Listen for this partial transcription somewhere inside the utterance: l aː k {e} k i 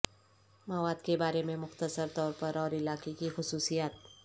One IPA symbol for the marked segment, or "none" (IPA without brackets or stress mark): e